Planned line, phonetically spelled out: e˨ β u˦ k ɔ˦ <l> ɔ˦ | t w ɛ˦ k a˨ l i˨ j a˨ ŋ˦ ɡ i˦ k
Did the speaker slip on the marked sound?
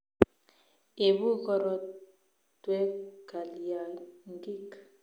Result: yes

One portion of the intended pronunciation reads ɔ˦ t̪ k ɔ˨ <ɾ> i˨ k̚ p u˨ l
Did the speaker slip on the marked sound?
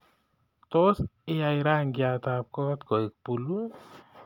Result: yes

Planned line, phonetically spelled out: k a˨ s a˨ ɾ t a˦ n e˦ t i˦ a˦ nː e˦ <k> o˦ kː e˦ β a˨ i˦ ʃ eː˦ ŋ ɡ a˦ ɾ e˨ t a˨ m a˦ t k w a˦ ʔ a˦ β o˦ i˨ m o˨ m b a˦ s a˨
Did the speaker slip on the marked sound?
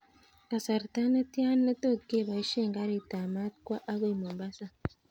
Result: yes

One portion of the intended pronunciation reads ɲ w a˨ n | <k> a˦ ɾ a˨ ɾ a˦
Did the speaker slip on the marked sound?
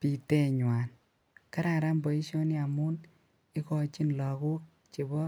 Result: no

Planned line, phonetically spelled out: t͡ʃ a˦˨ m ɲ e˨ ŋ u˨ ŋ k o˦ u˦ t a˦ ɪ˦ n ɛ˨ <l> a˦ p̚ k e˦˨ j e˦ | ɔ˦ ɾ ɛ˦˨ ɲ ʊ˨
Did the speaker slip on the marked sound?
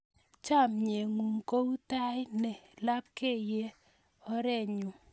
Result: no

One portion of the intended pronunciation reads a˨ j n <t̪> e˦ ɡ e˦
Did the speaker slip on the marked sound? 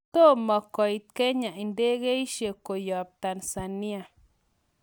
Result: yes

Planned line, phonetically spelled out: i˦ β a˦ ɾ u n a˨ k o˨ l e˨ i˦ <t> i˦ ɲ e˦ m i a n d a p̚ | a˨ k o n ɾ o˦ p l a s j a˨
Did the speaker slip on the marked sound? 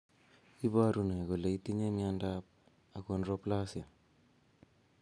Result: no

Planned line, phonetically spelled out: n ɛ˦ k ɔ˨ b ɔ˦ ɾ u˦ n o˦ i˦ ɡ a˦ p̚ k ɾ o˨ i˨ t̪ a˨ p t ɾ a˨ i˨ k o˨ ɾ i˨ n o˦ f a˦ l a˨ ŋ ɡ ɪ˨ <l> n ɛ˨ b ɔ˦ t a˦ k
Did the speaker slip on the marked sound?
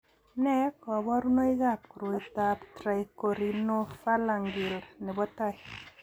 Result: no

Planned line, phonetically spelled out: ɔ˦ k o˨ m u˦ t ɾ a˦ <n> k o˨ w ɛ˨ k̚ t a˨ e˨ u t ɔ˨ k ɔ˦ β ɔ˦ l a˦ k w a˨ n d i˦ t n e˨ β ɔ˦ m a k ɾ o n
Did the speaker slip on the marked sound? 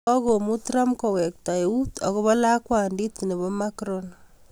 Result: yes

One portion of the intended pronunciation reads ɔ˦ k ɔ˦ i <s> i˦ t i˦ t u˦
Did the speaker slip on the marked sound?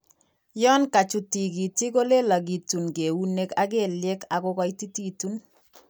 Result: yes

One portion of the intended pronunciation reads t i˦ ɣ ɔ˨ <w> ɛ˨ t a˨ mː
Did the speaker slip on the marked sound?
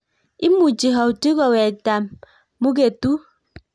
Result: no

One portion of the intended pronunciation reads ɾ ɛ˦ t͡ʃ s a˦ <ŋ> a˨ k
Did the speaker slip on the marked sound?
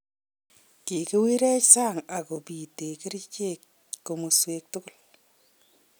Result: no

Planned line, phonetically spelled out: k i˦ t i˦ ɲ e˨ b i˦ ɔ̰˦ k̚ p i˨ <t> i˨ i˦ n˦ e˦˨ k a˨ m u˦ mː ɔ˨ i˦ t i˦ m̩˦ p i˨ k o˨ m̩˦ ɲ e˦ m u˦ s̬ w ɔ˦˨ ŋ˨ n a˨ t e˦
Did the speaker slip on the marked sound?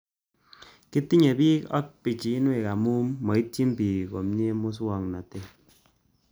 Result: yes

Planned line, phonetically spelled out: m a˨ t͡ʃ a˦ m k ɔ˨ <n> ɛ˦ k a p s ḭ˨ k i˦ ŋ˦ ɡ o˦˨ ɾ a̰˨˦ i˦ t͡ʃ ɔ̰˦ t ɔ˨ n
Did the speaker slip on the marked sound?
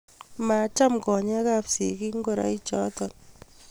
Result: yes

